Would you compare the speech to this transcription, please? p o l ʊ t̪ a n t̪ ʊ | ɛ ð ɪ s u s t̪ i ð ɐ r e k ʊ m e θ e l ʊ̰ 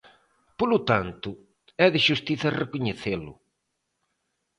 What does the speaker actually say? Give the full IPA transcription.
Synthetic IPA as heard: p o l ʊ t̪ a n t̪ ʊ | ɛ ð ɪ ʃ u s t̪ i θ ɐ r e k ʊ ɲ e θ e l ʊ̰